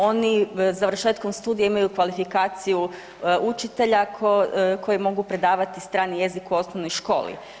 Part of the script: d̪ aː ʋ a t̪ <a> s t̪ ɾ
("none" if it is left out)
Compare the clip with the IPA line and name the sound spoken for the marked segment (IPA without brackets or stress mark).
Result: i